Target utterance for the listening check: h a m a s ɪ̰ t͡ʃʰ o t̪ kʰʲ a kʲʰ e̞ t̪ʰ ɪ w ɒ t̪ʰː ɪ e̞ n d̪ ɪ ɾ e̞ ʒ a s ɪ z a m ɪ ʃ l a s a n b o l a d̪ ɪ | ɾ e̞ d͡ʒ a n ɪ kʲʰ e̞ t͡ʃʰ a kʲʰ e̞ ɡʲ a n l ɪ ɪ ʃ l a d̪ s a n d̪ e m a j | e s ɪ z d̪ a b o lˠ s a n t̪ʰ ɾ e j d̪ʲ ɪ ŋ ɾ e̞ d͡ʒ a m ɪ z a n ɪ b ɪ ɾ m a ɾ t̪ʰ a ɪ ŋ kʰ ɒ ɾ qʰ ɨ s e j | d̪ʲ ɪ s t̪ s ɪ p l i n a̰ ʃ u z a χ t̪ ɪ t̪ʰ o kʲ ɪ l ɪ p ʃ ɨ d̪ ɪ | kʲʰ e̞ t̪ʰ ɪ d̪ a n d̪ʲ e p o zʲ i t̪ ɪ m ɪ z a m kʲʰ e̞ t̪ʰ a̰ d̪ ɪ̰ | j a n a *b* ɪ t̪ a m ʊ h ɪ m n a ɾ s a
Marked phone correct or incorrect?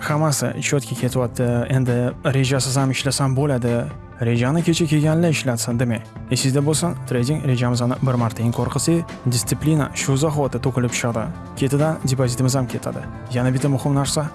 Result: correct